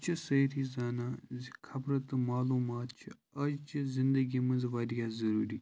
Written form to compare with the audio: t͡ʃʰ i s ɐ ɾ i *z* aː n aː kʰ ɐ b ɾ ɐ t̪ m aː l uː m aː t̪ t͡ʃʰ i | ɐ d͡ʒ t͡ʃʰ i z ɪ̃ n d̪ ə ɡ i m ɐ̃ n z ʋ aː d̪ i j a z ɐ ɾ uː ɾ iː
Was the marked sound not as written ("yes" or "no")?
no